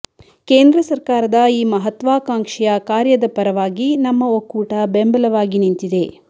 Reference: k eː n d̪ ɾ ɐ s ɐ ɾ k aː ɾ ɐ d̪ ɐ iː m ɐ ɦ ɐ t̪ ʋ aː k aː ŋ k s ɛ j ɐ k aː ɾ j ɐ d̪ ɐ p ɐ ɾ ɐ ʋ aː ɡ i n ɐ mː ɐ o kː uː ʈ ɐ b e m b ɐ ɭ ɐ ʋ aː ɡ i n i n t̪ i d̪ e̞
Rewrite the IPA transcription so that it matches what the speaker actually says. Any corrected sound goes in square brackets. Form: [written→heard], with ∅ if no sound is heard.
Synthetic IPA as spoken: k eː n d̪ ɾ ɐ s ɐ ɾ k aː ɾ ɐ d̪ ɐ iː m ɐ ɦ ɐ t̪ ʋ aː k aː ŋ k [s→ʂ] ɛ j ɐ k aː ɾ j ɐ d̪ ɐ p ɐ ɾ ɐ ʋ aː ɡ i n ɐ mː ɐ o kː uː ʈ ɐ b e m b ɐ [ɭ→l] ɐ ʋ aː ɡ i n i n t̪ i d̪ e̞